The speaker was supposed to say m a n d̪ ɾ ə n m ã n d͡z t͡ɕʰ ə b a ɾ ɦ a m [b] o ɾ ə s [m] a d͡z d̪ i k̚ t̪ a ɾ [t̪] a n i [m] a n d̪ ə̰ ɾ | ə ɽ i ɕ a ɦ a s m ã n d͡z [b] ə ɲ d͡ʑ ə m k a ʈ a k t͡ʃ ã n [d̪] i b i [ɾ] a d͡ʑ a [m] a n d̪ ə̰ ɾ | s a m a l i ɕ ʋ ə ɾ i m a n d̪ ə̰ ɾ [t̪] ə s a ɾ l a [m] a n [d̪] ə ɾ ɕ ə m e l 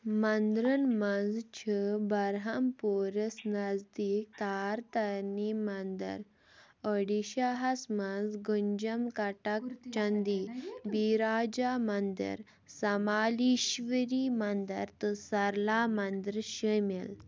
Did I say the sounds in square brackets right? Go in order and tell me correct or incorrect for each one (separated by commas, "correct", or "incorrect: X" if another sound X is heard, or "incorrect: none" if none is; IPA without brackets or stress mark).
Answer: incorrect: p, incorrect: n, correct, correct, incorrect: ɡ, correct, correct, correct, correct, correct, correct